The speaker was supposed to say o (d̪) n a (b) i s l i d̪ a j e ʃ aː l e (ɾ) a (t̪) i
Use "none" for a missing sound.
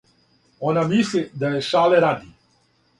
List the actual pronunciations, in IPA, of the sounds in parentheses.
none, m, ɾ, d̪

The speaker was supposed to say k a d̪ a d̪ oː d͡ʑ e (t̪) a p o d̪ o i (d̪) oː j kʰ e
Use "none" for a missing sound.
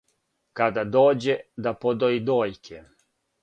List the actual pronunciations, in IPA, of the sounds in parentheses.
d̪, d̪

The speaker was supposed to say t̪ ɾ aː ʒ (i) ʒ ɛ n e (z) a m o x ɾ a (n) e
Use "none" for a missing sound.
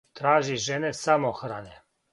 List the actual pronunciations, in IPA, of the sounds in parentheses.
i, s, n

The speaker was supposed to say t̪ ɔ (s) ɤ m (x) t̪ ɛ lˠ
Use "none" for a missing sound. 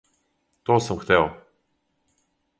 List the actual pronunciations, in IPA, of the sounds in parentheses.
s, x

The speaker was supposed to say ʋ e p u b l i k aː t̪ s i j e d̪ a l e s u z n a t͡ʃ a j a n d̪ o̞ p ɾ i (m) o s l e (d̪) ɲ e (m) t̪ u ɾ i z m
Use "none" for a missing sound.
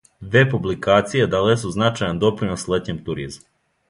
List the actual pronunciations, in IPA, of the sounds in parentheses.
n, t̪, m

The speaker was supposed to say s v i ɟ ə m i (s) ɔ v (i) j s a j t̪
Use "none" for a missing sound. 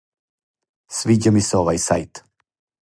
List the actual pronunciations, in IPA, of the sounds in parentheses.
s, a

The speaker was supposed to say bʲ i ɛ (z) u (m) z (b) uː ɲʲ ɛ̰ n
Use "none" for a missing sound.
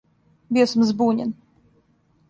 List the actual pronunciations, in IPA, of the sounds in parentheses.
s, m, b

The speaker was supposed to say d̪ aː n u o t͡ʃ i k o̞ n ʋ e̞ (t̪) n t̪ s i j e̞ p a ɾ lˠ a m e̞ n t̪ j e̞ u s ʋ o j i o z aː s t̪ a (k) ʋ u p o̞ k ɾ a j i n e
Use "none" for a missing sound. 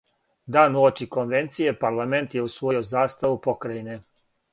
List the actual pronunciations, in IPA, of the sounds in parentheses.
none, none

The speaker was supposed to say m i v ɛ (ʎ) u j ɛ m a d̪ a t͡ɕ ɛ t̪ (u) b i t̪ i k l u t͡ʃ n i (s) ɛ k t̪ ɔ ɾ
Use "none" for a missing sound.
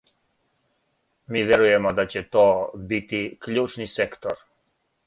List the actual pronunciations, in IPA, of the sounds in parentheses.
ɾ, ɔ, s

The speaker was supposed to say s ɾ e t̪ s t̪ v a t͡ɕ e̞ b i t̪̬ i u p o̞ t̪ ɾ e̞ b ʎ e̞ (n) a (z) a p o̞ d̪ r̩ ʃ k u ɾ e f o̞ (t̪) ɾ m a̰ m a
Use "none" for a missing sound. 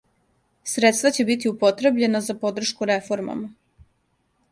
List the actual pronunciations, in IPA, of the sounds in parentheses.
n, z, none

